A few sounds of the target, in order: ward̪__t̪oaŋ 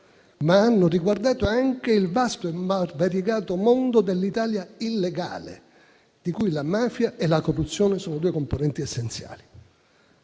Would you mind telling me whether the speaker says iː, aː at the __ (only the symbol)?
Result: aː